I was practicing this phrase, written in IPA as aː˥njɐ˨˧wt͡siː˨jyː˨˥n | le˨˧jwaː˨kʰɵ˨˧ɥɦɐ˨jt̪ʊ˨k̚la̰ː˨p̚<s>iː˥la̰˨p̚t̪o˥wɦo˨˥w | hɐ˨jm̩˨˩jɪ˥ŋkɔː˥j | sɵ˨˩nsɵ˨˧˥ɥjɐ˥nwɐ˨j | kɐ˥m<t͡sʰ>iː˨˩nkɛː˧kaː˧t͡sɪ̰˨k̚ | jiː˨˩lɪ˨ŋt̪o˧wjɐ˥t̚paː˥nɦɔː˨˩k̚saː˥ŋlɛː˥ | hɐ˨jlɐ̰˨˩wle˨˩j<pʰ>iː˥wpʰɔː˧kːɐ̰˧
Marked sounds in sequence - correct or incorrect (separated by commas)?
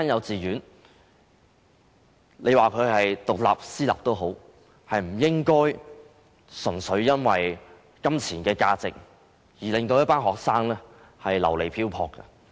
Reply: correct, correct, correct